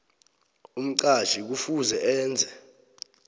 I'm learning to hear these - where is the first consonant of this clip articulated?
lips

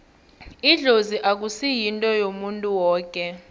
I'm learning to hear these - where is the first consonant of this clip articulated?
tongue tip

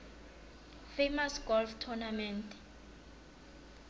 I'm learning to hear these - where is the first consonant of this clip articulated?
lips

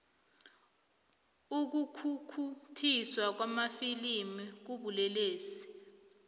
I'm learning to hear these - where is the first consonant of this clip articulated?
velum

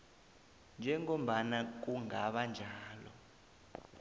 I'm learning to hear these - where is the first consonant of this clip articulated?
tongue tip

